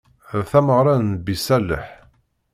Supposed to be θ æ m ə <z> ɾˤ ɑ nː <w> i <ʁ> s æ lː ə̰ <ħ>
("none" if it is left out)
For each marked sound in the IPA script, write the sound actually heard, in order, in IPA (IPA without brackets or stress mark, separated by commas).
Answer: ʁ, b, none, ħ